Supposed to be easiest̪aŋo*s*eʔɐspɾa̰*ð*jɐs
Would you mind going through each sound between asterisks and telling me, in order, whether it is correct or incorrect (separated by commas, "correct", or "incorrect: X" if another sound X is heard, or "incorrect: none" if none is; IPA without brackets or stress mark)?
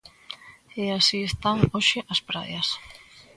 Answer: incorrect: ʃ, correct